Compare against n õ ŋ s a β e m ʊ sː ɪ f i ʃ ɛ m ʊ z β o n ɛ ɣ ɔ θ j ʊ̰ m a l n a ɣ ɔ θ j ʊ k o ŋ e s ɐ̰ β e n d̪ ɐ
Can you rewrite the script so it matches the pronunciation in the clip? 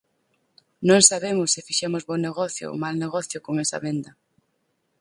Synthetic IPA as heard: n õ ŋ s a β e m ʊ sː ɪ f i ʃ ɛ m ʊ z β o n e ɣ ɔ θ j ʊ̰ m a l n e ɣ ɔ θ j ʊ k o ŋ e s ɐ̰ β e n d̪ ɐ